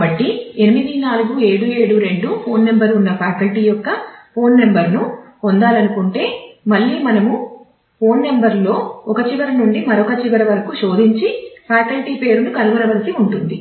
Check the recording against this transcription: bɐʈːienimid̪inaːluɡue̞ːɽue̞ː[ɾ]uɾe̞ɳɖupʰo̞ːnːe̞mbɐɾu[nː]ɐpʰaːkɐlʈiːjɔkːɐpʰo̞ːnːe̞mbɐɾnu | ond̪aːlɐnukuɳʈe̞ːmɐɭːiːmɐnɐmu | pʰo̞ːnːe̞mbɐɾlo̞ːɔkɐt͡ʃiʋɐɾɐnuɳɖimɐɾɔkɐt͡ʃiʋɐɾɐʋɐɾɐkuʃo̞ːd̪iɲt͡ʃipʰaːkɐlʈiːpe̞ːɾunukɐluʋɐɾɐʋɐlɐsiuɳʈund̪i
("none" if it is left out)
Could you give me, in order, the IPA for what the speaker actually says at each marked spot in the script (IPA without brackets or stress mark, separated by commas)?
ɽ, nː